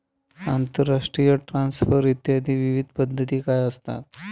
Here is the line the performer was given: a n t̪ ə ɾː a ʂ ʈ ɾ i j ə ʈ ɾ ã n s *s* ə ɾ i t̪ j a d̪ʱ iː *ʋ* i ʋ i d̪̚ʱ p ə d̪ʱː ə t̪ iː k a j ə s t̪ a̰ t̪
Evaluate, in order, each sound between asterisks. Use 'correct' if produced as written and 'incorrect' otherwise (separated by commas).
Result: incorrect, correct